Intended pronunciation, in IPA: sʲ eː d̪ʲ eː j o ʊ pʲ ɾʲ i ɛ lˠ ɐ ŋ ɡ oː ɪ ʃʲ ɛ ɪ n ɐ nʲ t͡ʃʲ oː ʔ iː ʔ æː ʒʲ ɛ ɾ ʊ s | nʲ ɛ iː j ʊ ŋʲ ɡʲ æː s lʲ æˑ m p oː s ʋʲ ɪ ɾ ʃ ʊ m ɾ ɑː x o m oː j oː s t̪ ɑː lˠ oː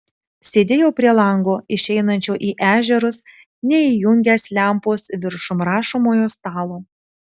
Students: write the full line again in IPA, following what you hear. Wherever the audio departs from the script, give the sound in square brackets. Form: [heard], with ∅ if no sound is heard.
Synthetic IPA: sʲ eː d̪ʲ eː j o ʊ pʲ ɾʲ i ɛ lˠ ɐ ŋ ɡ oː ɪ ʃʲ ɛ ɪ n ɐ nʲ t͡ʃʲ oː ʔ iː ʔ æː ʒʲ ɛ ɾ ʊ s | nʲ ɛ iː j ʊ ŋʲ ɡʲ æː s lʲ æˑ m p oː s ʋʲ ɪ ɾ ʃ ʊ m ɾ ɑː [ʃ] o m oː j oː s t̪ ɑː lˠ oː

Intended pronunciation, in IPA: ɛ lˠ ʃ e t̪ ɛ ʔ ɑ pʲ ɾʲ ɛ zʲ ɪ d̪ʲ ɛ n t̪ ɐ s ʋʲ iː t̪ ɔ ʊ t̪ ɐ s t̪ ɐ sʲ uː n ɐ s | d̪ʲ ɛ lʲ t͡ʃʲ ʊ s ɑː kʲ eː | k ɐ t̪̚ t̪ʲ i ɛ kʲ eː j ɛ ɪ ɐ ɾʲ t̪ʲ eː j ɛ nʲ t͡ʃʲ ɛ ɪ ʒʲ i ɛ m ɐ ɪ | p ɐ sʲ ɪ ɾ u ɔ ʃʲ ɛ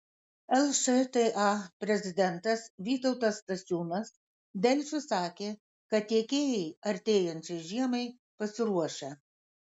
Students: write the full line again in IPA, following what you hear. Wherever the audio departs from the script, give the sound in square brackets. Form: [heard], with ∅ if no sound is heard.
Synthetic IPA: ɛ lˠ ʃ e t̪ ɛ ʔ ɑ pʲ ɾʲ ɛ zʲ ɪ d̪ʲ ɛ n t̪ ɐ s ʋʲ iː t̪ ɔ ʊ t̪ ɐ s t̪ ɐ sʲ uː n ɐ s | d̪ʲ ɛ lʲ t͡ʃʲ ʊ s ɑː kʲ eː | k ɐ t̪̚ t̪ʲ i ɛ kʲ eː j ɛ ɪ ɐ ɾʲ t̪ʲ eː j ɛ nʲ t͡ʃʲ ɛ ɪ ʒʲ i ɛ m ɐ ɪ | p ɐ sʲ ɪ ɾ u ɔ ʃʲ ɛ

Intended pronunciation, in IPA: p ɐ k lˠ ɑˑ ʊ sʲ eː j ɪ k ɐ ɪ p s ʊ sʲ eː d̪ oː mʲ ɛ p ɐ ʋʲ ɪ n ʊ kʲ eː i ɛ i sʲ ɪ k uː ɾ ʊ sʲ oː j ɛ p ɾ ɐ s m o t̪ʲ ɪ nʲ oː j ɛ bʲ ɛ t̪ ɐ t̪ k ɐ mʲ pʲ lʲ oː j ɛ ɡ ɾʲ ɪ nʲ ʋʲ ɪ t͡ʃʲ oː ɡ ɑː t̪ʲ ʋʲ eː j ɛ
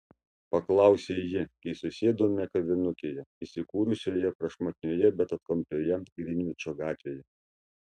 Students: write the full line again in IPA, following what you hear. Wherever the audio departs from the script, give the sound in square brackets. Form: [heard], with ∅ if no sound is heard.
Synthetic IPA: p ɐ k lˠ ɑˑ ʊ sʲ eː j ɪ k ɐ ɪ [∅] s ʊ sʲ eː d̪ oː mʲ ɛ [k] ɐ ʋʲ ɪ n ʊ kʲ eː [j] ɛ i sʲ ɪ k uː ɾ ʊ sʲ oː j ɛ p ɾ ɐ [ʃ] m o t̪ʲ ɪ nʲ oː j ɛ bʲ ɛ t̪ ɐ t̪ k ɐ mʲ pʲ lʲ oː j ɛ ɡ ɾʲ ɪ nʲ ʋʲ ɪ t͡ʃʲ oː ɡ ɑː t̪ʲ ʋʲ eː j ɛ

